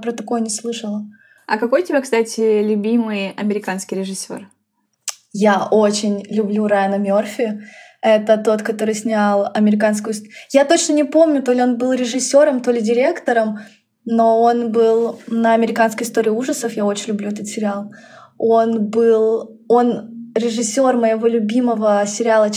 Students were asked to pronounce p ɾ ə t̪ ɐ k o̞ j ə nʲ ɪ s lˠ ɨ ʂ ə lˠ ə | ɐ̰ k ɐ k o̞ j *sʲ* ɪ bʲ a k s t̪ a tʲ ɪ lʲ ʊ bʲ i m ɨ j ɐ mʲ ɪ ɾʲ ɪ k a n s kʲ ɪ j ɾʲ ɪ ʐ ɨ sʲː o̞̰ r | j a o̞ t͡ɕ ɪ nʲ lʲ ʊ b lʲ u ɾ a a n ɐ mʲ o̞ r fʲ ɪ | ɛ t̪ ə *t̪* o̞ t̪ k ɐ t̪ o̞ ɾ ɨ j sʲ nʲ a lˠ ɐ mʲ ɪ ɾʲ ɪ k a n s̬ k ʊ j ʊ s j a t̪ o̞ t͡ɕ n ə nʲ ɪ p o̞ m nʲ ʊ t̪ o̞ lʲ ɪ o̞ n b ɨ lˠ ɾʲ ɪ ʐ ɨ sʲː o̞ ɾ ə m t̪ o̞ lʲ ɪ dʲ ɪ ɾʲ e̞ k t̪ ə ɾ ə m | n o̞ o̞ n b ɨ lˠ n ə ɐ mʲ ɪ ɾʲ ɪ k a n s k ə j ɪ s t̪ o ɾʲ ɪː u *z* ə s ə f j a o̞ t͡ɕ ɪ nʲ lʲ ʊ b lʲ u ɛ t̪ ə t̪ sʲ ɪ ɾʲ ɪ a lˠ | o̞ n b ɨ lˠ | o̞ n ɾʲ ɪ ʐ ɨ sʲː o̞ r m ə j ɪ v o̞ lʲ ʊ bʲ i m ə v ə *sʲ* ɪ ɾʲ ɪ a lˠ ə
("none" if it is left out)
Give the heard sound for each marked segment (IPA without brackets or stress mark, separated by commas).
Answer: tʲ, t̪, ʐ, sʲ